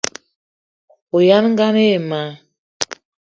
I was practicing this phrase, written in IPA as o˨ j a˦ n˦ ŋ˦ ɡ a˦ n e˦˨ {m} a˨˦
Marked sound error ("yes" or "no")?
no